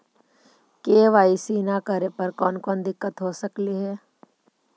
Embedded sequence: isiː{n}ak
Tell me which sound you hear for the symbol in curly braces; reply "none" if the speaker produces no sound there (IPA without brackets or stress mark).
n